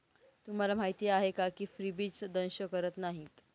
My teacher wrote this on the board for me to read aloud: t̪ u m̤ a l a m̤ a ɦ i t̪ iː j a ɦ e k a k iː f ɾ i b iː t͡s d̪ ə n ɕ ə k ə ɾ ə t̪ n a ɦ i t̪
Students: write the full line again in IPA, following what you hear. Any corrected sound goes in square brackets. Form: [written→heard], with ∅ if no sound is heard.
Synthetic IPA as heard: t̪ u m̤ a l a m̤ a ɦ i t̪ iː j a ɦ e k a k iː f ɾ i b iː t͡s d̪ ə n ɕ ə k ə ɾ ə t̪ n a ɦ i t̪